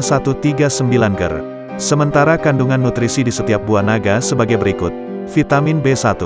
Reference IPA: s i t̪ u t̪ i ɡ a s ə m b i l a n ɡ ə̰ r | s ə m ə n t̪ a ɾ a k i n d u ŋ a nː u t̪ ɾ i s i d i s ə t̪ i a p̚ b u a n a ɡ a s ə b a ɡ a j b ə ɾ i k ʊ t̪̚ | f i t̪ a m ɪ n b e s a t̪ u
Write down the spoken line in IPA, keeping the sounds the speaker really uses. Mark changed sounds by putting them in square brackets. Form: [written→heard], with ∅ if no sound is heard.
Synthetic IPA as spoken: s [i→a] t̪ u t̪ i ɡ a s ə m b i l a n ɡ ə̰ r | s ə m ə n t̪ a ɾ a k [i→a] n d u ŋ a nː u t̪ ɾ i s i d i s ə t̪ i a p̚ b u a n a ɡ a s ə b a ɡ a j b ə ɾ i k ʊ t̪̚ | f i t̪ a m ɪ n b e s a t̪ u